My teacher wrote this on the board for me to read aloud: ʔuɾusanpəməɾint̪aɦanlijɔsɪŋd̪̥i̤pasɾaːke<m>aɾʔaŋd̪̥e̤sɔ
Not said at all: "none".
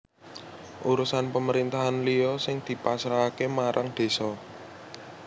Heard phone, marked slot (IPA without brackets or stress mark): m